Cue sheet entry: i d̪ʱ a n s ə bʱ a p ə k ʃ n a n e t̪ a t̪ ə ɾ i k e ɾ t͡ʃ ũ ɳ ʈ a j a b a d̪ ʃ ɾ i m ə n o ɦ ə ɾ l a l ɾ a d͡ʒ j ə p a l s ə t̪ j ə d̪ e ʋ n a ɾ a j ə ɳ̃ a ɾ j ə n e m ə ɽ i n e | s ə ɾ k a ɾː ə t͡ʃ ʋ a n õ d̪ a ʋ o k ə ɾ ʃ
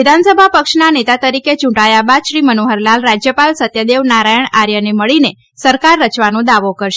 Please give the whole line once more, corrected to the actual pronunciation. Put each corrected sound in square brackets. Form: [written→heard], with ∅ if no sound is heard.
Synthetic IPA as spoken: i d̪ʱ a n s ə bʱ a p ə k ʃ n a n e t̪ a t̪ ə ɾ i k e [ɾ→∅] t͡ʃ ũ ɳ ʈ a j a b a d̪ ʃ ɾ i m ə n o ɦ ə ɾ l a l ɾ a d͡ʒ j ə p a l s ə t̪ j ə d̪ e ʋ n a ɾ a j ə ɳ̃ a ɾ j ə n e m ə [ɽ→ɭ] i n e | s ə ɾ k a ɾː ə t͡ʃ ʋ a n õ d̪ a ʋ o k ə ɾ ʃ